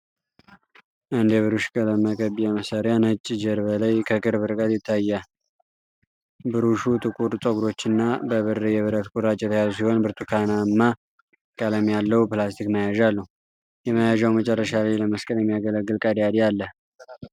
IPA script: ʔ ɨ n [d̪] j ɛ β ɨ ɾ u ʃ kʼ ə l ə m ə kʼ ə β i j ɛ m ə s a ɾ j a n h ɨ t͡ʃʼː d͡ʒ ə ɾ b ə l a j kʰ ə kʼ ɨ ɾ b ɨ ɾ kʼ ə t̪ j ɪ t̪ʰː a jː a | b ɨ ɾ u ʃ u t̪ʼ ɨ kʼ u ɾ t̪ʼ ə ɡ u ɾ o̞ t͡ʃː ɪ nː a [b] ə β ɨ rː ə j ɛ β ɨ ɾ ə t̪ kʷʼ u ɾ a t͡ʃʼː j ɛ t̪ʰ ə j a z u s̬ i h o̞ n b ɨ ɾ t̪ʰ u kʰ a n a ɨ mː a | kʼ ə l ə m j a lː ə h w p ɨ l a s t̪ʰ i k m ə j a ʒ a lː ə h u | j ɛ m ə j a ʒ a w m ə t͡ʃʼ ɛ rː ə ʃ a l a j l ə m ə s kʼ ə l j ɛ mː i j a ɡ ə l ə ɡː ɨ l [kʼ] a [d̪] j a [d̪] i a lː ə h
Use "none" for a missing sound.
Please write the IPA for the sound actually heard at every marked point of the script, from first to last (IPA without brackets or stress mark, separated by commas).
d̪, b, kʼ, d̪, d̪